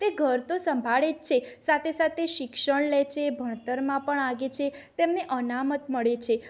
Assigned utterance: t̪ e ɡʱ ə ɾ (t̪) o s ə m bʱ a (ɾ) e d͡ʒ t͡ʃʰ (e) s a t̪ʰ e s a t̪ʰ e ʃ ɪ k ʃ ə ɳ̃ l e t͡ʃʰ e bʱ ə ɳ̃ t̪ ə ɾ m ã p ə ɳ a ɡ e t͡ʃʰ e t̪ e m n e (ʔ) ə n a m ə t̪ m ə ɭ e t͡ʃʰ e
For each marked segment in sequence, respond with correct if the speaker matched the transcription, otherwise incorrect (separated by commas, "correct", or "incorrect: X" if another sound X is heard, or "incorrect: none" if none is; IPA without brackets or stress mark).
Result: correct, incorrect: ɭ, correct, correct